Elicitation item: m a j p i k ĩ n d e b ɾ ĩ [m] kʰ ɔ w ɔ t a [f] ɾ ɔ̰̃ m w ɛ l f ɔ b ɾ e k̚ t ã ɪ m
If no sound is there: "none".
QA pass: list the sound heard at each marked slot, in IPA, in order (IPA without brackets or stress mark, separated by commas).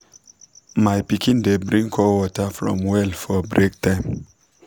ŋ, f